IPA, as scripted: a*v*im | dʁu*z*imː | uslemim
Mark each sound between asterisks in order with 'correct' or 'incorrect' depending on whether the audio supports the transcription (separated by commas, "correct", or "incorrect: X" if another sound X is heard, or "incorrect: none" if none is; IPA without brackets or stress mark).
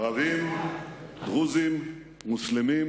correct, correct